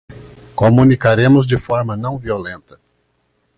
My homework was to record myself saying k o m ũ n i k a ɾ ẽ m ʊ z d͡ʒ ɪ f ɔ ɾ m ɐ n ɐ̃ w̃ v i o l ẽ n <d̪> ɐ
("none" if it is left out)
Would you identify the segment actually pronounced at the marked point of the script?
t̪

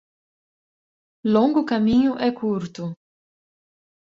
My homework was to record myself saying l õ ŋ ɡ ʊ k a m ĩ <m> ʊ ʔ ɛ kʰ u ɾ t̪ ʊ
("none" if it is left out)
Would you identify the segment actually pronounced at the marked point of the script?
ɲ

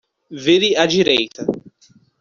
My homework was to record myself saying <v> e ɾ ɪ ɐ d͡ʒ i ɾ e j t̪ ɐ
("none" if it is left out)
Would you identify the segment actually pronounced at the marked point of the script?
v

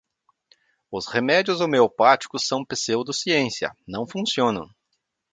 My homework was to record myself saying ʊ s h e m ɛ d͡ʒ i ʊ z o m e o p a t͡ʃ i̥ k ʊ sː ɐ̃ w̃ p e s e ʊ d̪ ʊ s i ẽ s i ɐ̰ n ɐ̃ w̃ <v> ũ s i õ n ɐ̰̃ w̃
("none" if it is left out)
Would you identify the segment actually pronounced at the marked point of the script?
f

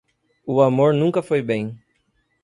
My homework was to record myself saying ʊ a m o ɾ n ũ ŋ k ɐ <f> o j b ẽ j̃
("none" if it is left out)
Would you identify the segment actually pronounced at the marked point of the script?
f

